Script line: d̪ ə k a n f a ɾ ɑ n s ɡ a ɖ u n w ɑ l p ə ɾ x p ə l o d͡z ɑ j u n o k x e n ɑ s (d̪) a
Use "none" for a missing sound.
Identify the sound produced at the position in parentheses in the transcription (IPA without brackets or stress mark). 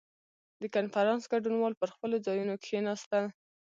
t̪